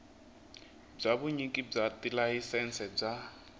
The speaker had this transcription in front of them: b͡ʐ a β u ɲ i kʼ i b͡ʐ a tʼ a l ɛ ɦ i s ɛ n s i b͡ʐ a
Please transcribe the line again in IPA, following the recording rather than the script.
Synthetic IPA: b͡ʐ a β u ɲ i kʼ i b͡ʐ a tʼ i l a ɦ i s ɛ n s ɛ b͡ʐ a